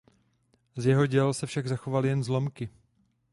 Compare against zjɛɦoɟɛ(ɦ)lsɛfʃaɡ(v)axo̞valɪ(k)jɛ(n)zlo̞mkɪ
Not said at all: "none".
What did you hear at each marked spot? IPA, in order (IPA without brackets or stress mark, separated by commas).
none, z, none, n